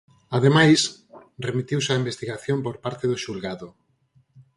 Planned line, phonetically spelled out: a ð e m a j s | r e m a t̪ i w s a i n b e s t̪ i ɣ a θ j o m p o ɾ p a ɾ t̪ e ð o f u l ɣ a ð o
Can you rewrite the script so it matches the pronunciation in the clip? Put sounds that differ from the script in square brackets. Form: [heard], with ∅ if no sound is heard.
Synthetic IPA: a ð e m a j s | r e m [i] t̪ i w s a i [m] b e s t̪ i ɣ a θ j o m p o ɾ p a ɾ t̪ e ð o [ʃ] u l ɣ a ð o